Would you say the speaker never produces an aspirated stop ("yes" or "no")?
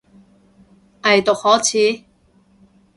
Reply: no